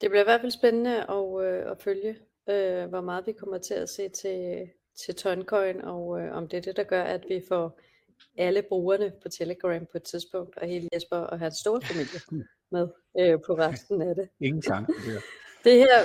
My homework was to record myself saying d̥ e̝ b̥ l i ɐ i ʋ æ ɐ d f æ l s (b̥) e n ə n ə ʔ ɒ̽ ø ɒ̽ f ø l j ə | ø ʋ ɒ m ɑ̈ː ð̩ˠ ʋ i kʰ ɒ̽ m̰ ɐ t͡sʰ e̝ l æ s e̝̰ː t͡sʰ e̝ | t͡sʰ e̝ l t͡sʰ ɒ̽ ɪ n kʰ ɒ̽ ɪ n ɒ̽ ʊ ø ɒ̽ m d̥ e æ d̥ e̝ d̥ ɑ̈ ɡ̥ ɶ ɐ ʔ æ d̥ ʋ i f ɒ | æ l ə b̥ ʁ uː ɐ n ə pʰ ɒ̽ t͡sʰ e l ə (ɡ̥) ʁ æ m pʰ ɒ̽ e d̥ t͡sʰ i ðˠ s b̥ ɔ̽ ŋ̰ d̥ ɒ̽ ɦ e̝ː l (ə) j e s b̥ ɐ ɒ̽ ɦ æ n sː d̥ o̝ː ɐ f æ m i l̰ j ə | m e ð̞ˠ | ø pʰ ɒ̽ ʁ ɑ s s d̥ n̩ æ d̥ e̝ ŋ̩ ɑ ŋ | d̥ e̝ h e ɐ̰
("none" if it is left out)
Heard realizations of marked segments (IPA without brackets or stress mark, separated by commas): b̥, ɡ̥, ə